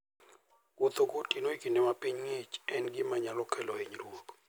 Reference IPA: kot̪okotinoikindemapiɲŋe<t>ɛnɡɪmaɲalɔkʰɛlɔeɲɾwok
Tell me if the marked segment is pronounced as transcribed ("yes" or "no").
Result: no